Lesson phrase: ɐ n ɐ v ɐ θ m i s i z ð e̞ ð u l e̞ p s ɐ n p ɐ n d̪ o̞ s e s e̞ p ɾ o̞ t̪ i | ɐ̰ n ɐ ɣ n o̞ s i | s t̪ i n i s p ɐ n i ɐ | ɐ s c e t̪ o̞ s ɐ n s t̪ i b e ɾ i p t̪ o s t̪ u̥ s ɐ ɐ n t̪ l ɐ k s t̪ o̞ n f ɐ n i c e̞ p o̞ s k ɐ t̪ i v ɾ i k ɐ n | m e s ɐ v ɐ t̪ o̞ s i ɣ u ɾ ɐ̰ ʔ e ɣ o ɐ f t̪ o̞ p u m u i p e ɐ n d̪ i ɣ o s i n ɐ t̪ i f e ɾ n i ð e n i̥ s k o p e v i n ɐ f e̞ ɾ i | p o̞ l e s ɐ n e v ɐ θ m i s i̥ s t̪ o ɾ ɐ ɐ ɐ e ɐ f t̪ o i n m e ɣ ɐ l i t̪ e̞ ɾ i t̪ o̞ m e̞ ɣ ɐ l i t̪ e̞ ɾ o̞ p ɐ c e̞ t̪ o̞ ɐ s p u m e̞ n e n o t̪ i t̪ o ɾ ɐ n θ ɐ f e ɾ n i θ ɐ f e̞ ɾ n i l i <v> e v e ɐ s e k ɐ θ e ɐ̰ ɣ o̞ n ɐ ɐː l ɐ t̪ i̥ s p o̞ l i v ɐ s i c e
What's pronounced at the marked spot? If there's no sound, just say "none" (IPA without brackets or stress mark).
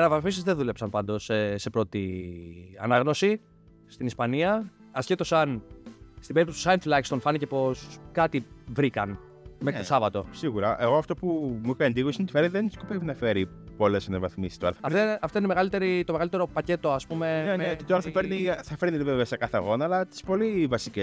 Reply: v